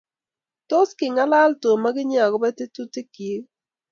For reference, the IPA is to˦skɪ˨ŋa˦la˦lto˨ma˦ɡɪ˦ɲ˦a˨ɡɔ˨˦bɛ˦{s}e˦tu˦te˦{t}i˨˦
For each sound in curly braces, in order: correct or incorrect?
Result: incorrect: t, incorrect: k

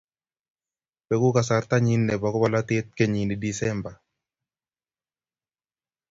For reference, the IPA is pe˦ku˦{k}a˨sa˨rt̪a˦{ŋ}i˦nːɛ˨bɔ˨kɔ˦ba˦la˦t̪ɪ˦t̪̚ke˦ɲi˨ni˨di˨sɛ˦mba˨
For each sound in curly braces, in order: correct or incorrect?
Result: correct, incorrect: ɲ

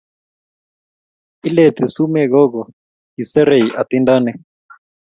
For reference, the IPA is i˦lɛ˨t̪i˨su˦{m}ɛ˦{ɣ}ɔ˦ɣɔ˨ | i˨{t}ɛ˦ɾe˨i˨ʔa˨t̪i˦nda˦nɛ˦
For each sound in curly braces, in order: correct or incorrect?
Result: correct, correct, incorrect: s

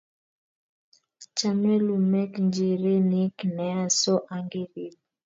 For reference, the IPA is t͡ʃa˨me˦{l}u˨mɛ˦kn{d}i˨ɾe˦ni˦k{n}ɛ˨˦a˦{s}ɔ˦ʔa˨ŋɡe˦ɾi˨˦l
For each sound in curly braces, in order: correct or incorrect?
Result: correct, incorrect: d͡ʒ, correct, correct

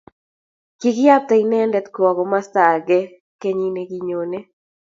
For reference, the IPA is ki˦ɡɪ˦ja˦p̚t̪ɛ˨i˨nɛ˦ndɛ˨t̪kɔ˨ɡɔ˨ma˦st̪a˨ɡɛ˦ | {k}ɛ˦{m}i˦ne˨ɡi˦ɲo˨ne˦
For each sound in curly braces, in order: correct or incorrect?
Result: correct, incorrect: ɲ

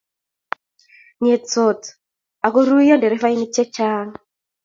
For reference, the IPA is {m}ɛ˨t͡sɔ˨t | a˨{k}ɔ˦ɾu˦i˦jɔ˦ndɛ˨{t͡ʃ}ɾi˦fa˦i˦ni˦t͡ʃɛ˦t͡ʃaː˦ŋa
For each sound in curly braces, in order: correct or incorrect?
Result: incorrect: ɲ, correct, incorrect: none

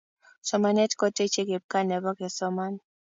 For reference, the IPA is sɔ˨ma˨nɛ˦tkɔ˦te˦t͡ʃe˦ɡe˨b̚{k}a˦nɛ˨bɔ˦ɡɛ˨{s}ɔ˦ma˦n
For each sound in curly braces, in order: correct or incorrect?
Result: correct, correct

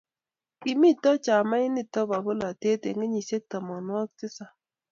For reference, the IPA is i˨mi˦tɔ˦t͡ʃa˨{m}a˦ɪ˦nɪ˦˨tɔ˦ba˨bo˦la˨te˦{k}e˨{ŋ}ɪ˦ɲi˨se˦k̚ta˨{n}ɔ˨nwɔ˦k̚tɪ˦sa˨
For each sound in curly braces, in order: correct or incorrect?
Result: correct, incorrect: t, correct, incorrect: m

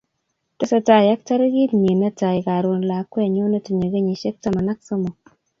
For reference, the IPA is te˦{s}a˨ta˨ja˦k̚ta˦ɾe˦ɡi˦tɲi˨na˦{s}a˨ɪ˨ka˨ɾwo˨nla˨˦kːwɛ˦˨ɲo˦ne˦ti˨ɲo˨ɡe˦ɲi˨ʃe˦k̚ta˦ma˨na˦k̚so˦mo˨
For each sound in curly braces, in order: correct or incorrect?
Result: correct, incorrect: t

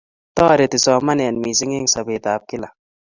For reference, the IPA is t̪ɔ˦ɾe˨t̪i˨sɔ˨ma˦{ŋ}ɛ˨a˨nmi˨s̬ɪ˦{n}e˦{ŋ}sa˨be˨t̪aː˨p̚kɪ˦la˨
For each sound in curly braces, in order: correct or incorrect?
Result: incorrect: n, incorrect: ŋ, correct

